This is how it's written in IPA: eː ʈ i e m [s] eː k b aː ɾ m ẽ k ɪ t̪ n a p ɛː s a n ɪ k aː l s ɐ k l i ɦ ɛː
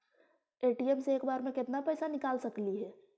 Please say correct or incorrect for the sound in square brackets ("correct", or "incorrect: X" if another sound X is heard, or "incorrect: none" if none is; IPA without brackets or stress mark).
correct